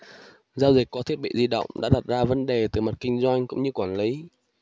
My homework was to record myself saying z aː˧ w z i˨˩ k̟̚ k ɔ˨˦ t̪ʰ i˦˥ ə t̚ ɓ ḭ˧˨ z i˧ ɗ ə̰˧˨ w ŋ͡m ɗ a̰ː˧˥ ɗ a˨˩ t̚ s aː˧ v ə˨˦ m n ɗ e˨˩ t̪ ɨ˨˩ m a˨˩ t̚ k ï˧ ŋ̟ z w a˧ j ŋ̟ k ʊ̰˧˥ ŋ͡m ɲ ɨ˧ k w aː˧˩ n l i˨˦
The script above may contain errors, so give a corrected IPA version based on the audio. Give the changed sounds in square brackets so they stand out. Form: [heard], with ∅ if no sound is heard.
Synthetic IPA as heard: z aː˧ w z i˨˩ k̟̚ k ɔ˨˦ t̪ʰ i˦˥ ə t̚ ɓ ḭ˧˨ z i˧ ɗ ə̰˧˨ w ŋ͡m ɗ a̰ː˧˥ ɗ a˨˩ t̚ [z] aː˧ v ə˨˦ [∅] n ɗ e˨˩ t̪ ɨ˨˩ m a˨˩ t̚ k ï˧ ŋ̟ z w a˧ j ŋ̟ k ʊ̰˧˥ ŋ͡m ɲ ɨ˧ k w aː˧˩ n l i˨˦